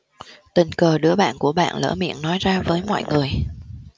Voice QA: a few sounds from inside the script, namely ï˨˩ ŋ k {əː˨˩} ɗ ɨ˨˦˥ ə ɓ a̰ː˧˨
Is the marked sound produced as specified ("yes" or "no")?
yes